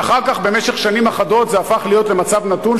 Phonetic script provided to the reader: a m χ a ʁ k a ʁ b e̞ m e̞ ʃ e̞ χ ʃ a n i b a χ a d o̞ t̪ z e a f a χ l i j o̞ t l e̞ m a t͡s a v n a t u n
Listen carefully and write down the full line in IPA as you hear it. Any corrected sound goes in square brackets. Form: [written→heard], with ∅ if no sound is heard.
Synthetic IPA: a [m→∅] χ a ʁ k a [ʁ→χ] b e̞ m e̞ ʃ e̞ χ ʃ a n i [b→m] a χ a d o̞ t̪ z e a f a χ l i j o̞ t l e̞ m a t͡s a v n a t u n